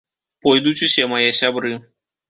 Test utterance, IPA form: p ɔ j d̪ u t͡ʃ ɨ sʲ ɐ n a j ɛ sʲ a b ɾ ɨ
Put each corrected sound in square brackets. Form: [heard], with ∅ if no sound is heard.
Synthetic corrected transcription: p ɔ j d̪ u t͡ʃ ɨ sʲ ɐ [m] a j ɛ sʲ a b ɾ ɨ

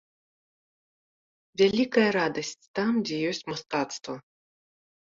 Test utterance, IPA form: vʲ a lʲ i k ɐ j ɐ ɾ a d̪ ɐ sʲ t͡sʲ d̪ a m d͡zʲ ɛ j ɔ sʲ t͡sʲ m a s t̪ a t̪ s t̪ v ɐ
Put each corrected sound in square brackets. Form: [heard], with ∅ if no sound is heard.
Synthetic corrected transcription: vʲ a lʲ i k ɐ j ɐ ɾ a d̪ ɐ sʲ t͡sʲ [t̪] a m d͡zʲ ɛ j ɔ sʲ t͡sʲ m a s t̪ a t̪ s t̪ v ɐ

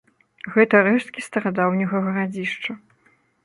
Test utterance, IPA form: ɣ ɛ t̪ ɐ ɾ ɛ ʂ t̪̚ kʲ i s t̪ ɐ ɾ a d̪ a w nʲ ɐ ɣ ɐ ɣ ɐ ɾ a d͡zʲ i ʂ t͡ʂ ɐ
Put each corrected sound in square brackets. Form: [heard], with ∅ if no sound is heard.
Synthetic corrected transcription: ɣ ɛ t̪ ɐ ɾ ɛ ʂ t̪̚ kʲ i s t̪ ɐ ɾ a d̪ a w nʲ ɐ ɣ ɐ ɣ ɐ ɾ a d͡zʲ i ʂ t͡ʂ ɐ

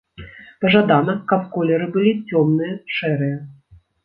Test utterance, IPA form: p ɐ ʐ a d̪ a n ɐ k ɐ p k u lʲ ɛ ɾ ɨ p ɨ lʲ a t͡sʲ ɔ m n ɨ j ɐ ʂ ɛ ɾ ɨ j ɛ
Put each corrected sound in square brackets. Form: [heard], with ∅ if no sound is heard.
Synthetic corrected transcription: p ɐ ʐ a d̪ a n ɐ k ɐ p k [ɔ] lʲ ɛ ɾ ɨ [b] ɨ lʲ [i] t͡sʲ ɔ m n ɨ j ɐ ʂ ɛ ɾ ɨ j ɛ

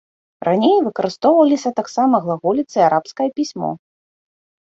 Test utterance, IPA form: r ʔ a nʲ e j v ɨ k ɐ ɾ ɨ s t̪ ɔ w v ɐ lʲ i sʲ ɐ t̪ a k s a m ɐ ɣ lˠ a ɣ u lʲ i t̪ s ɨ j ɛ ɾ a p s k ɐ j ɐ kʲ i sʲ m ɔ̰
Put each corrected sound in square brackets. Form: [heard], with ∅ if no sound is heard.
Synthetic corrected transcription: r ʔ a nʲ e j v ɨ k ɐ ɾ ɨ s t̪ ɔ w v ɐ lʲ i sʲ ɐ t̪ a k s a m ɐ ɣ lˠ a ɣ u lʲ i t̪ s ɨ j [a] ɾ a p s k ɐ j ɐ [pʲ] i sʲ m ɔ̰

